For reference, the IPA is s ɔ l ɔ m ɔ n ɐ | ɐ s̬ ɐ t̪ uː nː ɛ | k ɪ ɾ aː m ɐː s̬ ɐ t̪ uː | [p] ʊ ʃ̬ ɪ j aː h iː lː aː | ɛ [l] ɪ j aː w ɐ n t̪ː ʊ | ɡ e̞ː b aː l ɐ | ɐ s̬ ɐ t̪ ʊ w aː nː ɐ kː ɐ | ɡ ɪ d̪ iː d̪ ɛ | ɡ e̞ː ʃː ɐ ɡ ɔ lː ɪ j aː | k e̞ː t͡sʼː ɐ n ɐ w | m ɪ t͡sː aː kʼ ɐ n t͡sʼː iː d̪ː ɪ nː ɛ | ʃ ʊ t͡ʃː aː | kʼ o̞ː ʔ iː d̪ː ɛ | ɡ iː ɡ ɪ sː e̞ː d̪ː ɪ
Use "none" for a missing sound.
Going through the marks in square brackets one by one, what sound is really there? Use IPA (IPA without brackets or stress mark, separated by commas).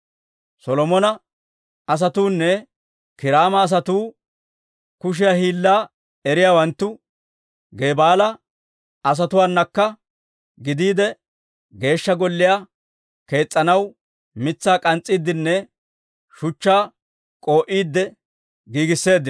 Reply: k, ɾ